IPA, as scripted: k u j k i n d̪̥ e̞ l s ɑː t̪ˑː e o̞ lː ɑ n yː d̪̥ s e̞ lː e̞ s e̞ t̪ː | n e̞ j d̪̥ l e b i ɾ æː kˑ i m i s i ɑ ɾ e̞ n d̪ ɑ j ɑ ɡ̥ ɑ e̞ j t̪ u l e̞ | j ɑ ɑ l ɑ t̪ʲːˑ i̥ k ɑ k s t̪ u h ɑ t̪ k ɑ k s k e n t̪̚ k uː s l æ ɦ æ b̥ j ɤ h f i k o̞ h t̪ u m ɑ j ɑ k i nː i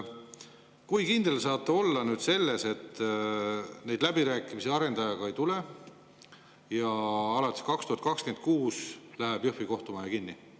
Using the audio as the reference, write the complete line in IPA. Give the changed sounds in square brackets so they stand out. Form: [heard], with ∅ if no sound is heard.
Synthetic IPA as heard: k u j k i n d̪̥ e̞ l s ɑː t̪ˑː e o̞ lː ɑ n yː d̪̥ s e̞ lː e̞ s e̞ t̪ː | n e̞ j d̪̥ l [æ] b i ɾ æː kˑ i m i s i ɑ ɾ e̞ n d̪ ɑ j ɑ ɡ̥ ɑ e̞ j t̪ u l e̞ | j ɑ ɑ l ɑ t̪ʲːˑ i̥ k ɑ k s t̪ u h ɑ t̪ k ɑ k s k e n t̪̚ k uː s l æ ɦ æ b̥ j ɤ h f i k o̞ h t̪ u m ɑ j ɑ k i nː i